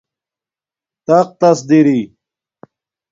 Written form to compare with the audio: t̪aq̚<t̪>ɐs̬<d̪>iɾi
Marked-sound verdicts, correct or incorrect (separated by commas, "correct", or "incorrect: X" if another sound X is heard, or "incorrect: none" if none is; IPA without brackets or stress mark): correct, correct